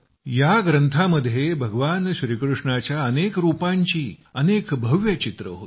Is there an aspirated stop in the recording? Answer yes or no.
yes